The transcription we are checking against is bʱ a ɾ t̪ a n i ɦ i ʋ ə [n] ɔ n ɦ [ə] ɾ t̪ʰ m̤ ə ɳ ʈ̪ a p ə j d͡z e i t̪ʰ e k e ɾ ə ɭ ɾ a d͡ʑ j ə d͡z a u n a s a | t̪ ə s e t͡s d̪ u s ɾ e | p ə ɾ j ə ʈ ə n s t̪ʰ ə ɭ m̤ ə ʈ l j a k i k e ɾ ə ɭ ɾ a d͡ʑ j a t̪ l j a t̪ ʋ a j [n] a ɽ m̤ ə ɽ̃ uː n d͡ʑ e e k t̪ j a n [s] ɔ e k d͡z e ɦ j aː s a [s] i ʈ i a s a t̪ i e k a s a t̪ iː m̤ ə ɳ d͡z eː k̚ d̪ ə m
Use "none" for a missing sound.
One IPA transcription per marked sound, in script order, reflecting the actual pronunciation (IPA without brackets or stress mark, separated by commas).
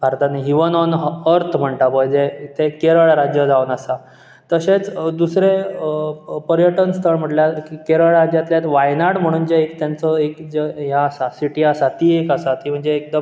n, ə, n, t͡s, s